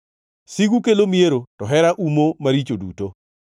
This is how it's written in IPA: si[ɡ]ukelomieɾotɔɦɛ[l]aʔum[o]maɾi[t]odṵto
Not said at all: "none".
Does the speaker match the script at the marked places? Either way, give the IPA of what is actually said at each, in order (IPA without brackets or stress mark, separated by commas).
ɡ, ɾ, o, t͡ʃ